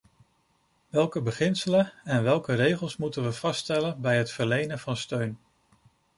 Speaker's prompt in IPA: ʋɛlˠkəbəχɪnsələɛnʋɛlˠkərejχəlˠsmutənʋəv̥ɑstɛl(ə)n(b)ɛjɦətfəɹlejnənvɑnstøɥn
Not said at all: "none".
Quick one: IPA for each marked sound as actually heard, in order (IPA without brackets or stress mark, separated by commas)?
ə, b